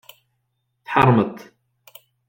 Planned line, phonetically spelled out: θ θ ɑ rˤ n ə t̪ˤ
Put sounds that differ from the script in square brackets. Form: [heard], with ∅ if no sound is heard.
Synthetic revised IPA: θ [ħ] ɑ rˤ [m] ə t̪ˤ